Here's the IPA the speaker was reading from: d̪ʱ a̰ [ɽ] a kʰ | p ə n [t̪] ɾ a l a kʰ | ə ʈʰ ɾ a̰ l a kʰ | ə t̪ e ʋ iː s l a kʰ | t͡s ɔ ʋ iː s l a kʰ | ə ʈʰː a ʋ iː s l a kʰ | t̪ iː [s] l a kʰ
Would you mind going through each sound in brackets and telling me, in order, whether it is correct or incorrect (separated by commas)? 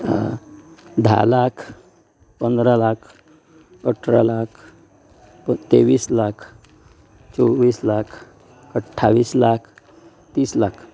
incorrect, incorrect, correct